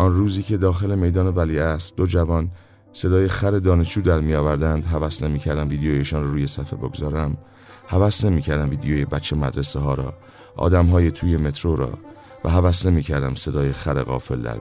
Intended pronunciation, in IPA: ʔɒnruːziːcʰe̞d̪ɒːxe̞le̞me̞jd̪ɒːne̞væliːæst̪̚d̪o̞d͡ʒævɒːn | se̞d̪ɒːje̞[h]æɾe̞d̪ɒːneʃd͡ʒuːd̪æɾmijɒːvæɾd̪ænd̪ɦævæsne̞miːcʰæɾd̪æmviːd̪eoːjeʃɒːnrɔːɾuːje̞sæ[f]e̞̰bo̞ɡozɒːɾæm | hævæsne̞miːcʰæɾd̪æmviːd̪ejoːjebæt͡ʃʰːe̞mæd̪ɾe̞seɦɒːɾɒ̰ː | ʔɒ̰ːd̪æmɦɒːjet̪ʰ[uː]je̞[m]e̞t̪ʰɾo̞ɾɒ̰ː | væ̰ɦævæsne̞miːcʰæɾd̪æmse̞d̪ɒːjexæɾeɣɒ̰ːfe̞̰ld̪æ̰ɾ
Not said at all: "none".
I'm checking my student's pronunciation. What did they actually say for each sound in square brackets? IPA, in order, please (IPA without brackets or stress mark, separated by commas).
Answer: x, f, uː, m